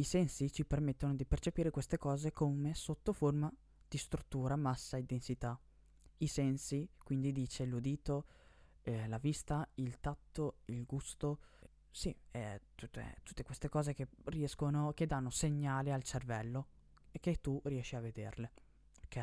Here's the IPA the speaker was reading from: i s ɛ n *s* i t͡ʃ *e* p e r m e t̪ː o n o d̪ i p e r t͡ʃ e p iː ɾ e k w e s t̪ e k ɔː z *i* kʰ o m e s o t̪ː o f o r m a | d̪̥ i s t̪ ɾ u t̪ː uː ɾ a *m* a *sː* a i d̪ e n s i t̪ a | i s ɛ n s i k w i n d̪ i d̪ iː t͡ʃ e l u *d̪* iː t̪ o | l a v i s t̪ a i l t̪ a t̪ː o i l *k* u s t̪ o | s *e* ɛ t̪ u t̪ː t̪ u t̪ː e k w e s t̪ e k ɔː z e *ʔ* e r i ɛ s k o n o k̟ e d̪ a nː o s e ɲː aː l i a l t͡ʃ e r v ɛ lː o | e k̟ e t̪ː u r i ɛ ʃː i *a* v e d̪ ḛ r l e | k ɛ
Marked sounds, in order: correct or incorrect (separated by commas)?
correct, incorrect, incorrect, correct, correct, correct, incorrect, incorrect, incorrect, correct